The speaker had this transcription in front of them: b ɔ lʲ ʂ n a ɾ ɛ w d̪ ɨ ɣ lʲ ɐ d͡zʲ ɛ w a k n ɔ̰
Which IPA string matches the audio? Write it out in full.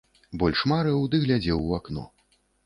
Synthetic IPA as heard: b ɔ lʲ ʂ m a ɾ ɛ w d̪ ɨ ɣ lʲ a d͡zʲ ɛ w a k n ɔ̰